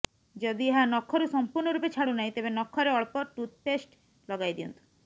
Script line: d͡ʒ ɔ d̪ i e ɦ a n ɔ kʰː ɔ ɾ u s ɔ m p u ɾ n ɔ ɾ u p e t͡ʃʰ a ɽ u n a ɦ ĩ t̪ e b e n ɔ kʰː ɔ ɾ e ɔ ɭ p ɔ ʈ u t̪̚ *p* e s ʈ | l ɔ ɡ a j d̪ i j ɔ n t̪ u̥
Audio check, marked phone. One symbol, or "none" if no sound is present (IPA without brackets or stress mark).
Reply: p